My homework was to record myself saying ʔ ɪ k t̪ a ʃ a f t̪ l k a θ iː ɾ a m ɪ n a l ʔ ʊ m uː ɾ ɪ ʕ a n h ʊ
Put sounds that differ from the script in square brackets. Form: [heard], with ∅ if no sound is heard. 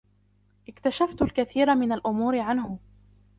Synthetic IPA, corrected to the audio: ʔ ɪ k t̪ a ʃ a f t̪ l k a θ iː ɾ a m ɪ n a l ʔ ʊ m uː ɾ ɪ ʕ a n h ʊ